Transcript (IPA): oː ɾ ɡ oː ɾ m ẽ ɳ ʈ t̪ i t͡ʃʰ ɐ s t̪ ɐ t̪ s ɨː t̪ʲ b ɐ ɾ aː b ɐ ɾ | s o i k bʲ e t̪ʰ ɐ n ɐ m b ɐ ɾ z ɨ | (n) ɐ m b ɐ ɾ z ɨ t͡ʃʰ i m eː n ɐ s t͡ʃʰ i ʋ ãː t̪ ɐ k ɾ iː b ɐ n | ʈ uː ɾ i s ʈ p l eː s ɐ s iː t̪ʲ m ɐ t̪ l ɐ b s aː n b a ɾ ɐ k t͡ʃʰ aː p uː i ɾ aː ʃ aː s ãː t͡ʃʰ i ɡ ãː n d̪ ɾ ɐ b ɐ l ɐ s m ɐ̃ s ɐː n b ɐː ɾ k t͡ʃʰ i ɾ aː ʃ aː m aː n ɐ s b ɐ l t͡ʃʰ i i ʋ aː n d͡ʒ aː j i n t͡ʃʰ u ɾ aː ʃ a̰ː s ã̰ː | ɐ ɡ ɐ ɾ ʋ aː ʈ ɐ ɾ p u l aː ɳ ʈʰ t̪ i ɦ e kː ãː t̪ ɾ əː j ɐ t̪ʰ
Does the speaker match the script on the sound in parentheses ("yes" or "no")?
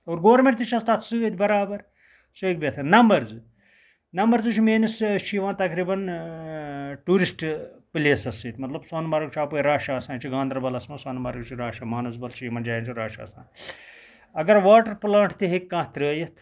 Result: yes